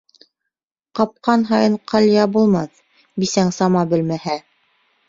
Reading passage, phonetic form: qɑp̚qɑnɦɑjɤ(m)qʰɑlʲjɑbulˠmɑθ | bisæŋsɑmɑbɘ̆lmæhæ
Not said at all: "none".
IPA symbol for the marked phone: ɴ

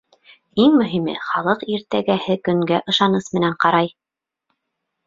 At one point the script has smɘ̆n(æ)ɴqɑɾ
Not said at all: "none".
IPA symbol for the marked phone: æ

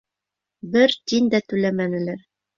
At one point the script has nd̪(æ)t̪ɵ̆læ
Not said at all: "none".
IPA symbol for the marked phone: æ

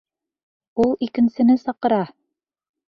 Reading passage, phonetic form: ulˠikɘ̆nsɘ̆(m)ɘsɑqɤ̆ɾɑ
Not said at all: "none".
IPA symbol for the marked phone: n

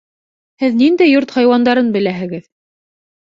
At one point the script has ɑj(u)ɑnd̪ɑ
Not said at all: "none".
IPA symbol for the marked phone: w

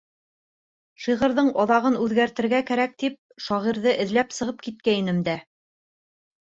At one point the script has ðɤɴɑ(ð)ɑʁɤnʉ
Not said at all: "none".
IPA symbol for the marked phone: ð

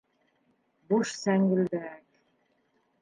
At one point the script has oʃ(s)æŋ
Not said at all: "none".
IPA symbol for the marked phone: s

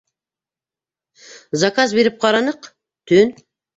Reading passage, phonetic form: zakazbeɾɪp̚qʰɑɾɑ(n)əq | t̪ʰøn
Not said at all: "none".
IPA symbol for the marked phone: n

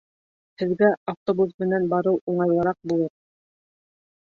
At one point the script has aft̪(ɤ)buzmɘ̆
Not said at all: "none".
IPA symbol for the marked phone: o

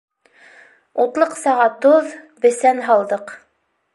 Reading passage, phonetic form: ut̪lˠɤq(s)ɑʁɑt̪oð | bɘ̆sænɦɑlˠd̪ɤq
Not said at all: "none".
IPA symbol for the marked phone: s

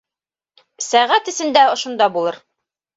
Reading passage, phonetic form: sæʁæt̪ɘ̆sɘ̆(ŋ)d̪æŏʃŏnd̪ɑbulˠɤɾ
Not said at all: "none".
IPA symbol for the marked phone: n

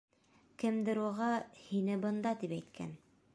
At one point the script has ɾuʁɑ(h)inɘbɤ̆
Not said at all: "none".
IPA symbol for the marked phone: h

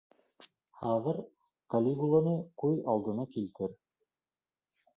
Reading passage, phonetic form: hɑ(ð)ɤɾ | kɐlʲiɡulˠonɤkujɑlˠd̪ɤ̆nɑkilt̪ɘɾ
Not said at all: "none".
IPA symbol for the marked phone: ð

